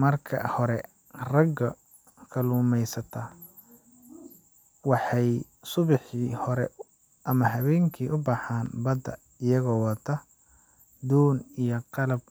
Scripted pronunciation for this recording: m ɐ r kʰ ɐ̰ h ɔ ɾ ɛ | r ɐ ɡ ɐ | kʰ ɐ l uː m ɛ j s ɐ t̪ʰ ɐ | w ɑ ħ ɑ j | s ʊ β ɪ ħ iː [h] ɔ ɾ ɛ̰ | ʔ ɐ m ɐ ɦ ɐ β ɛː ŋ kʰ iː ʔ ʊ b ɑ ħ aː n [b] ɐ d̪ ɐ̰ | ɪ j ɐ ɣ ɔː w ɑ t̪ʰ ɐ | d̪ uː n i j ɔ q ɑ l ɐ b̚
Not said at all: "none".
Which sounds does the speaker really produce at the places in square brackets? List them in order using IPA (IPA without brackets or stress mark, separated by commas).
h, b